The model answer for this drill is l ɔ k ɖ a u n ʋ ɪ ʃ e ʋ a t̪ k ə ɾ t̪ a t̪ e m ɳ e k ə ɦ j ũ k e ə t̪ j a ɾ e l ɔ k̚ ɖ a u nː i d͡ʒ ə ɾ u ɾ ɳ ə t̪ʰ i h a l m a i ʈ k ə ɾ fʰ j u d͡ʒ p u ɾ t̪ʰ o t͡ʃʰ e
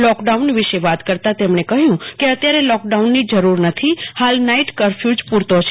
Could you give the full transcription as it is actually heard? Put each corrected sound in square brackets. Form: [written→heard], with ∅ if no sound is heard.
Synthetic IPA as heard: l ɔ k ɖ a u n ʋ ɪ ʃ e ʋ a t̪ k ə ɾ t̪ a t̪ e m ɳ e k ə ɦ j ũ k e ə t̪ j a ɾ e l ɔ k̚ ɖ a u nː i d͡ʒ ə ɾ u ɾ [ɳ→n] ə t̪ʰ i h a l [m→n] a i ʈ k ə ɾ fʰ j u d͡ʒ p u ɾ [t̪ʰ→t̪] o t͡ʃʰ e